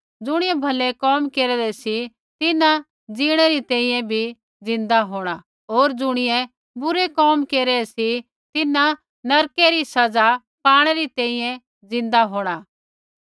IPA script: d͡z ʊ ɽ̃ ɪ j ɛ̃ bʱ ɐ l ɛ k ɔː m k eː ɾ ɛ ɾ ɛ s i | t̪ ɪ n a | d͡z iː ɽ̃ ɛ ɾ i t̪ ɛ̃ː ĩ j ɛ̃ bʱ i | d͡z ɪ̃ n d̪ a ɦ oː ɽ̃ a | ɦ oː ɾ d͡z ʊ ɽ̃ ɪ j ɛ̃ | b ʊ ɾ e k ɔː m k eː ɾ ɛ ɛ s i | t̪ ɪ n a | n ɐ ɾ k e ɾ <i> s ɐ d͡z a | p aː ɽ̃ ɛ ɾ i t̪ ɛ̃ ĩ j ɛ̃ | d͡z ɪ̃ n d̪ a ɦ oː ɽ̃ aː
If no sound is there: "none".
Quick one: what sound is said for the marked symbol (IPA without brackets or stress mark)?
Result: i